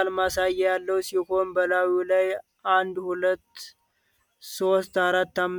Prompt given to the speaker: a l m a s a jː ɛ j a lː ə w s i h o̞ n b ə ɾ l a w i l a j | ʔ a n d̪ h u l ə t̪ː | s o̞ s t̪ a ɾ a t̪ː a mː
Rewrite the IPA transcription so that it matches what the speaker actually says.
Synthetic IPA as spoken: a l m a s a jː ɛ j a lː ə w s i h o̞ n b ə l a w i l a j | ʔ a n d̪ h u l ə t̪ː | s o̞ s t̪ a ɾ a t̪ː a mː